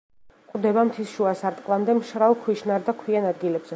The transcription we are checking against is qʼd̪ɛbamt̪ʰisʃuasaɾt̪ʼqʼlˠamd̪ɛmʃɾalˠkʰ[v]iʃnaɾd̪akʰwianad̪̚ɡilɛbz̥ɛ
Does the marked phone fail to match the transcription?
yes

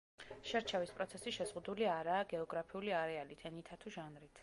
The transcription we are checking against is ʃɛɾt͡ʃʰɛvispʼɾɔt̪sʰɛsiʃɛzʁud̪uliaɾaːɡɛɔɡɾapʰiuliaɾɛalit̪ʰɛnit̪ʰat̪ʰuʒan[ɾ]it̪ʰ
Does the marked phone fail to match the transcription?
no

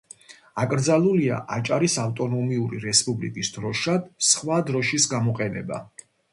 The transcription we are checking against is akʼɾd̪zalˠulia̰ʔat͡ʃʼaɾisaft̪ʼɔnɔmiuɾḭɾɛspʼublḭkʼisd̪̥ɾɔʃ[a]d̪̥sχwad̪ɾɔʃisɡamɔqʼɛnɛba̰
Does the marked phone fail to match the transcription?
no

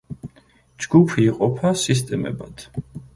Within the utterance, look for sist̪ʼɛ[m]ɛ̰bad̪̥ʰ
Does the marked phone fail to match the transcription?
no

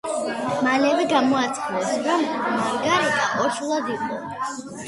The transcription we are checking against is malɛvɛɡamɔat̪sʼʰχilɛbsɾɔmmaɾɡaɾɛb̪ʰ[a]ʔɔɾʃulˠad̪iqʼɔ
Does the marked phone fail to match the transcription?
no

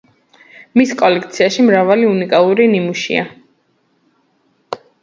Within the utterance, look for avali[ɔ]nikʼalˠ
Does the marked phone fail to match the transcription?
yes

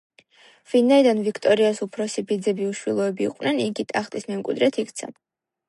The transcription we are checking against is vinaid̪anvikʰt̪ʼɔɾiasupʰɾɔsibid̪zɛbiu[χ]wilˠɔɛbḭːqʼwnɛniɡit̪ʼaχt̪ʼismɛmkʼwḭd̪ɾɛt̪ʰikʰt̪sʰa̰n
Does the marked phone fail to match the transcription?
yes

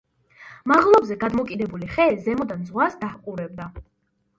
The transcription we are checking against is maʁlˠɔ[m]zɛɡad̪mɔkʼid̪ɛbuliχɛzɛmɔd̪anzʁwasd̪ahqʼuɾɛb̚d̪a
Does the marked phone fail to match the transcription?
yes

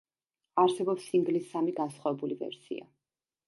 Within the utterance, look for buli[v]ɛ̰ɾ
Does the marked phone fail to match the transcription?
no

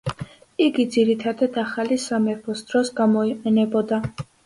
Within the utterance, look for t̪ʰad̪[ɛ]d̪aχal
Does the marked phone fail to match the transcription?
yes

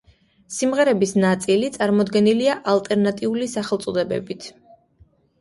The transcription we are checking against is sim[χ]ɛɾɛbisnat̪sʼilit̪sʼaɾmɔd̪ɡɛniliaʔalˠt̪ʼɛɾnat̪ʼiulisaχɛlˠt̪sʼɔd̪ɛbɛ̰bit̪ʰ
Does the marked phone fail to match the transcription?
yes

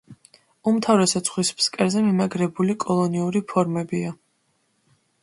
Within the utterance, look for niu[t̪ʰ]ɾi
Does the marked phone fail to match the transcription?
yes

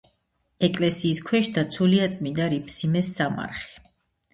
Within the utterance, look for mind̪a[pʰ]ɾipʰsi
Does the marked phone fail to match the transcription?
yes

